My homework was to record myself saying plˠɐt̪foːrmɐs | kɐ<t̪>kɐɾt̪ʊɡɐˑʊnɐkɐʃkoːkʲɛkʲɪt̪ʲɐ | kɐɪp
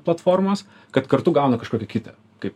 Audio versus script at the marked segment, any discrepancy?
no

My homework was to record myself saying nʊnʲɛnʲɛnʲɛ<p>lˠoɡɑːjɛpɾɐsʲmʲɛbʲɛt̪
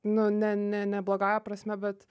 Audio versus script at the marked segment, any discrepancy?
yes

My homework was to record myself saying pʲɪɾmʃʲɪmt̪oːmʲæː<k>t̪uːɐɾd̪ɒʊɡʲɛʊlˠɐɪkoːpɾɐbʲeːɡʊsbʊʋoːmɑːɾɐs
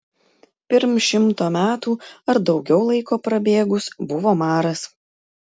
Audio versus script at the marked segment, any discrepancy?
yes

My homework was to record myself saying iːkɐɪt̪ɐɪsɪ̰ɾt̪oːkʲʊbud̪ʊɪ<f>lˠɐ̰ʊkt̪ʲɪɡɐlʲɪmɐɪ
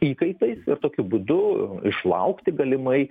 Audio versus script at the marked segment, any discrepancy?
yes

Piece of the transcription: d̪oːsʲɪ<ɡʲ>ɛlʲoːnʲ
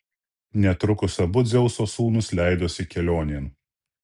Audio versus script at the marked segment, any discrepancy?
yes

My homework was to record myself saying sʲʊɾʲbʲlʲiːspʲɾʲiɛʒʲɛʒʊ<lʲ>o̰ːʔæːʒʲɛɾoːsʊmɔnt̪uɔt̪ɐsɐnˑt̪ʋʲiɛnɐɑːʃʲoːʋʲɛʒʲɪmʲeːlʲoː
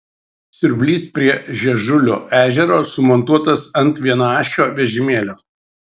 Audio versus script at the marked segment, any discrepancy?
no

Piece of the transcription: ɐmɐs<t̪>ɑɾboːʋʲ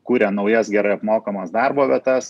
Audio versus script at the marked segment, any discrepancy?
yes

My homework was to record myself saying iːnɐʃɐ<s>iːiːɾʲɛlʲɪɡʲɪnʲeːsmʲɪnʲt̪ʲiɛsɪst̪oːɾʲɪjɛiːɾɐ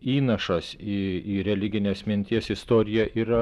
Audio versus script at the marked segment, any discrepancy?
no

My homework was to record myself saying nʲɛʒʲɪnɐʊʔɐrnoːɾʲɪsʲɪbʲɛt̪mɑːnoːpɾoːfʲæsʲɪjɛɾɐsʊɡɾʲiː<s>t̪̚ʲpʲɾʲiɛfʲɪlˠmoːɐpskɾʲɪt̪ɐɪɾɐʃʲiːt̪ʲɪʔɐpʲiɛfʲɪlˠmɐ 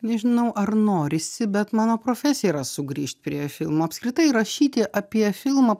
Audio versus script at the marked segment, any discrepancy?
yes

